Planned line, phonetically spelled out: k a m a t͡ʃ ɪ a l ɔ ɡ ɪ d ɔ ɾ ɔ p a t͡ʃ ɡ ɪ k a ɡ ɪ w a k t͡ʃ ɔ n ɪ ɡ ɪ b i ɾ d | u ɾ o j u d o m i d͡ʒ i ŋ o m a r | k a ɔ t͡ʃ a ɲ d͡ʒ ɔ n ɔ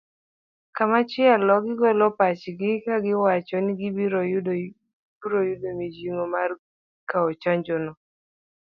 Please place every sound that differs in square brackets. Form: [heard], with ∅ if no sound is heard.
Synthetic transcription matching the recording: k a m a t͡ʃ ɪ a l ɔ ɡ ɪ [ɡ] ɔ [l] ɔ p a t͡ʃ ɡ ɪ k a ɡ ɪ w a [∅] t͡ʃ ɔ n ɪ ɡ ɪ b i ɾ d | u ɾ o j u d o m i d͡ʒ i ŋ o m a r | k a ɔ t͡ʃ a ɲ d͡ʒ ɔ n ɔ